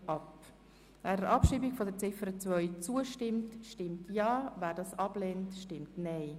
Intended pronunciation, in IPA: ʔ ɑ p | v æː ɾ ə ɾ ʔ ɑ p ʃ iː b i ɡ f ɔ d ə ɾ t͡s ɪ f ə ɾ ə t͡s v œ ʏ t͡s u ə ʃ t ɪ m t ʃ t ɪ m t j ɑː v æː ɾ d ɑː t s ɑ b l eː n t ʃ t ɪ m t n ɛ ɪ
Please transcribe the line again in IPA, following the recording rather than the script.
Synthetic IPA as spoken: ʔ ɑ p | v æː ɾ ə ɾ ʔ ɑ p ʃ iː b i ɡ f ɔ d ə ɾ t͡s ɪ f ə ɾ ə t͡s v œ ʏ t͡s u ə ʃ t ɪ m t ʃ t ɪ m t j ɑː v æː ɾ d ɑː s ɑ b l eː n t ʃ t ɪ m t n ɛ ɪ